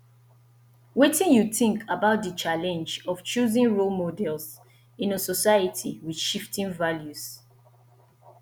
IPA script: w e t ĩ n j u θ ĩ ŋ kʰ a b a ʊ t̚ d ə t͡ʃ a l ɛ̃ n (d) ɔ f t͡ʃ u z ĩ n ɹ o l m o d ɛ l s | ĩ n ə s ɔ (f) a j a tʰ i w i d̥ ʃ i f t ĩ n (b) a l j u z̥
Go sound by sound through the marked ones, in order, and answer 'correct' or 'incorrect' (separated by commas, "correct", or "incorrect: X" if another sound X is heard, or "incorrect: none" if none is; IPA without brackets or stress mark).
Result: incorrect: d͡ʒ, incorrect: s, incorrect: v